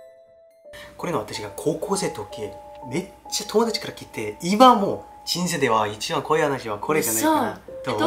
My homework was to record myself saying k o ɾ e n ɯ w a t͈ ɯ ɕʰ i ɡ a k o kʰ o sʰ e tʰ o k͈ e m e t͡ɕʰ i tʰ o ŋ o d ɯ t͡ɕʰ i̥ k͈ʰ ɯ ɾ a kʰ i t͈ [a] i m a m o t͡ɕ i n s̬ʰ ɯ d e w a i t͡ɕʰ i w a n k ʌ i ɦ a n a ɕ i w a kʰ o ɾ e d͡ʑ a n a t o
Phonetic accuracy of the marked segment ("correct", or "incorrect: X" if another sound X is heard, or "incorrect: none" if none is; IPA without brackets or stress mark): incorrect: e